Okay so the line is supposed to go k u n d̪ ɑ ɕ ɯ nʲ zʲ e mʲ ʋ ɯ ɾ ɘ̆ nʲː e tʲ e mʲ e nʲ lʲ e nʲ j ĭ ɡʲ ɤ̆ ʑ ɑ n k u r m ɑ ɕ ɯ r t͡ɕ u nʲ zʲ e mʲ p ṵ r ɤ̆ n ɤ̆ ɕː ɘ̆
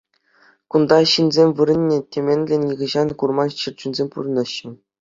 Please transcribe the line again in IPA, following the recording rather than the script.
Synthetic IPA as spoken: k u n d̪ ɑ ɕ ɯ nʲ zʲ e mʲ ʋ ɯ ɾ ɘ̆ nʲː e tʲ e mʲ e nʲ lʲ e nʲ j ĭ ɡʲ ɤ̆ ʑ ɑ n k u r m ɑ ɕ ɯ r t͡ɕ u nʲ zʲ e mʲ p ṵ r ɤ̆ n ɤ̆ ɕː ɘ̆